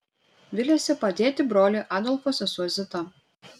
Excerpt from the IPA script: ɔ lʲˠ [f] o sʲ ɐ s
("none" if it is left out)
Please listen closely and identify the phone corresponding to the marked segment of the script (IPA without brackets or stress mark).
f